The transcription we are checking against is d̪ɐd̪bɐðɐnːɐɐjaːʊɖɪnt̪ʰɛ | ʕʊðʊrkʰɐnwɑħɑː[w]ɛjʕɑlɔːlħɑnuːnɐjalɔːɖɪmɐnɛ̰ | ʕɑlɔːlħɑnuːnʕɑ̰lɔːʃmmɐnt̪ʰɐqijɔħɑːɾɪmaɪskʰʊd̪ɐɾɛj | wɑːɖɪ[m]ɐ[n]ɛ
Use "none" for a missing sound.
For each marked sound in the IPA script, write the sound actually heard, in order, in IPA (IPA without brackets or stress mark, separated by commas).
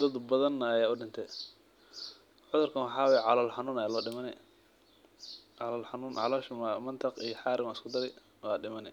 w, m, n